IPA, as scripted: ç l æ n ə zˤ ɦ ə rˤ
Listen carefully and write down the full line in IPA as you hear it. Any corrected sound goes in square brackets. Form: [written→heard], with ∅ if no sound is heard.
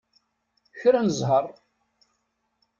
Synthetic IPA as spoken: ç [l→ɾ] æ n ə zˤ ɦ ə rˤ